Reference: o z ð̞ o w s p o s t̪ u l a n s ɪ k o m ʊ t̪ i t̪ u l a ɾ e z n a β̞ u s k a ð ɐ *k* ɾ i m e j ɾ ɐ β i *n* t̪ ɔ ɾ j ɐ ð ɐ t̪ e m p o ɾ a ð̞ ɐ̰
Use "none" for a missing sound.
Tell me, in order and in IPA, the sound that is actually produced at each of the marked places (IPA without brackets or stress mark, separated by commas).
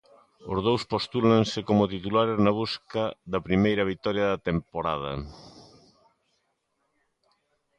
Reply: p, none